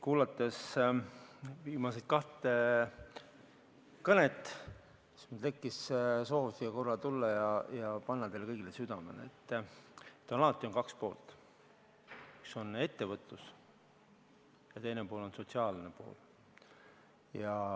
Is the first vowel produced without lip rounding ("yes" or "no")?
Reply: no